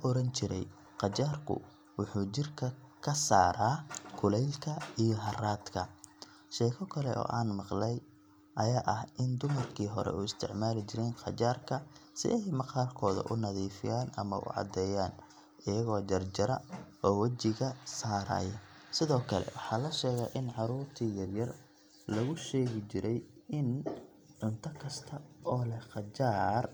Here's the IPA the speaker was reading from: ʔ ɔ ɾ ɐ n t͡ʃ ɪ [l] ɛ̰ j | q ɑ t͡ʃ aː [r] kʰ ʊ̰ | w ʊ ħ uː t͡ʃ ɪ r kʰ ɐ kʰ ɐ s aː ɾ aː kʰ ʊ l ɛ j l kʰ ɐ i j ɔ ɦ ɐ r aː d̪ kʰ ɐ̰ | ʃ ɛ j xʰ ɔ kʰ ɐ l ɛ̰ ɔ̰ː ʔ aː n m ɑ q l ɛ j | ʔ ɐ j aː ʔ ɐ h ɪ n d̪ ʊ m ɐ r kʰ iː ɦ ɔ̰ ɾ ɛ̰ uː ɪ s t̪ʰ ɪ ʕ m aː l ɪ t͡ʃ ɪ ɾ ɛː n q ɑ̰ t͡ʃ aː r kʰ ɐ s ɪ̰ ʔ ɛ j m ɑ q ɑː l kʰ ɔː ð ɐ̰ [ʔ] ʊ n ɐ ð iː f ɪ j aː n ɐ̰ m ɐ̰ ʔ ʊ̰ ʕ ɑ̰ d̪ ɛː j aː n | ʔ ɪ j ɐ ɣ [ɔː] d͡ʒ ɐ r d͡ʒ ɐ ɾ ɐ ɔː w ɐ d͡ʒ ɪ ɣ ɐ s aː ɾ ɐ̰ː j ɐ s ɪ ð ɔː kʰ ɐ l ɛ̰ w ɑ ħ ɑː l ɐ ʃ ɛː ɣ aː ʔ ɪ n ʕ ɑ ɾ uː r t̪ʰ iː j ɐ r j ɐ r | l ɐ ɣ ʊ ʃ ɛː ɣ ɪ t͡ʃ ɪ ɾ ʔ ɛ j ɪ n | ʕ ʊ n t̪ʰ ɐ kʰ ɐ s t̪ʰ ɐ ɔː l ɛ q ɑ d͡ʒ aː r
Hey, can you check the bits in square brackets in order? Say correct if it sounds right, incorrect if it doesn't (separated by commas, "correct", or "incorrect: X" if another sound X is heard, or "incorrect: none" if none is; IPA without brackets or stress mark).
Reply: incorrect: ɾ, correct, correct, correct